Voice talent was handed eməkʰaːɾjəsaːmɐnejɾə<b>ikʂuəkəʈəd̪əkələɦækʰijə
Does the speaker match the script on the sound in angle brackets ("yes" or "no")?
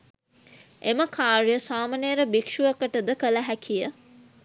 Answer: yes